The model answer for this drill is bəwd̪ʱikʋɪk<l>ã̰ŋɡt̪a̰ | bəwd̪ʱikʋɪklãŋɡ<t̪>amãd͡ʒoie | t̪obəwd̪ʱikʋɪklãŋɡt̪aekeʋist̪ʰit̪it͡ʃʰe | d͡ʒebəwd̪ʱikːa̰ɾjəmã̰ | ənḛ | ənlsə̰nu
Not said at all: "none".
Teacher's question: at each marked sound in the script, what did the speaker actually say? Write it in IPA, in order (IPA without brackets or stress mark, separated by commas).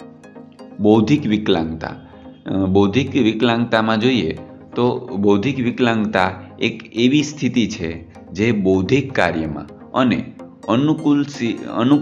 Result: l, t̪